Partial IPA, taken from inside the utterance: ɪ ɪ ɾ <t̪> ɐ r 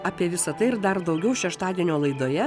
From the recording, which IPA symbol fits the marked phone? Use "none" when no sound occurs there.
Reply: d̪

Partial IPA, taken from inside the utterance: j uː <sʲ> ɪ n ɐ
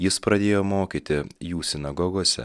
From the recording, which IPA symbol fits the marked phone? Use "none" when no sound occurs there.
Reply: sʲ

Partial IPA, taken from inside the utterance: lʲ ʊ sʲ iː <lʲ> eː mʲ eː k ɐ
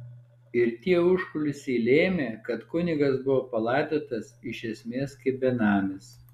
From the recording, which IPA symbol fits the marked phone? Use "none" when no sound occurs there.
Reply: lʲ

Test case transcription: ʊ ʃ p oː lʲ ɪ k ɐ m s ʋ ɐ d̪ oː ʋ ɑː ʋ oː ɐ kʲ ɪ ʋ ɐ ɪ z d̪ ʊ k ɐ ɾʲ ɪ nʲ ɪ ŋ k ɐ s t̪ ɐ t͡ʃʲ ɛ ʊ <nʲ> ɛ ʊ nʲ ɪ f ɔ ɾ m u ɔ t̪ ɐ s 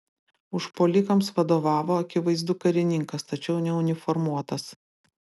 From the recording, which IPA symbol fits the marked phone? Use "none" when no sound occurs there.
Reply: nʲ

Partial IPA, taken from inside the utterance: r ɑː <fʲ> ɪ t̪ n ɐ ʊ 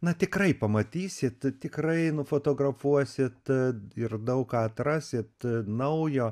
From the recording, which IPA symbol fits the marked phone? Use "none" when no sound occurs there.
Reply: sʲ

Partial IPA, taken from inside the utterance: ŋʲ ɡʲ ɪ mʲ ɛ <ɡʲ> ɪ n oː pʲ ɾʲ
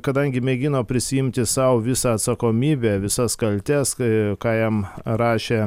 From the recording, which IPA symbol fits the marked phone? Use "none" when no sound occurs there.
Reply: ɡʲ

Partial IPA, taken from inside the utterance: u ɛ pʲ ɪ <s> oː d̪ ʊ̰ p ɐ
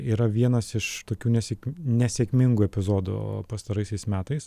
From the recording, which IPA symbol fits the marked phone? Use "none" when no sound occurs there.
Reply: z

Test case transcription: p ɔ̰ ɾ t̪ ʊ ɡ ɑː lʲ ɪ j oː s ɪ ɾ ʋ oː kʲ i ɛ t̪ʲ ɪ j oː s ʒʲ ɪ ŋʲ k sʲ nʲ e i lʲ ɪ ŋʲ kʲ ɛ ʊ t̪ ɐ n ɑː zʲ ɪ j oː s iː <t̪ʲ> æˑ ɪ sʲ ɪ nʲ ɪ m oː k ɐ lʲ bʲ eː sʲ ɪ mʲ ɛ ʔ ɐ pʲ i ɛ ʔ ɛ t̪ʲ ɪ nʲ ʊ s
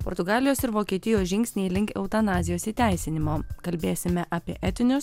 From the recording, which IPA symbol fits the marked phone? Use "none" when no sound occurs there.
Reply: t̪ʲ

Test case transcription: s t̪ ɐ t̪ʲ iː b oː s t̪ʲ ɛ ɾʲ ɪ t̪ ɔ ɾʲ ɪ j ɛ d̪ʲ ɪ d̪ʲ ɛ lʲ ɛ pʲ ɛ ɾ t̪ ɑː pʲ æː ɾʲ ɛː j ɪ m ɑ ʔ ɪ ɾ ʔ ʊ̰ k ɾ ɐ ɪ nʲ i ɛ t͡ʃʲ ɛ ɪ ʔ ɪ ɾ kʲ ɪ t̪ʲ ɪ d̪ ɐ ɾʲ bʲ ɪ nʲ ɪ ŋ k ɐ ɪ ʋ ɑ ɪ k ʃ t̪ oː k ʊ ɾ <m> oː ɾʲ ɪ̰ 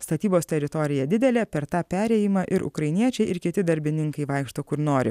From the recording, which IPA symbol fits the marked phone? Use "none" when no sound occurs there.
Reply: n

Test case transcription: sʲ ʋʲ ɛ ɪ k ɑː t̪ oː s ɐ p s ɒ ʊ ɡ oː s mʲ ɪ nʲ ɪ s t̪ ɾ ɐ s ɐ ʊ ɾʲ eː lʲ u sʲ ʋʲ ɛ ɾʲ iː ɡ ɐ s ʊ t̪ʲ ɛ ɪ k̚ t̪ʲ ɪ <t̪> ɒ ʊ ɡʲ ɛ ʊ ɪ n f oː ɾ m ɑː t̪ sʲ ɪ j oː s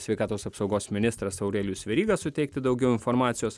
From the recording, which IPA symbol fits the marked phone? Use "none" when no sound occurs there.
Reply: d̪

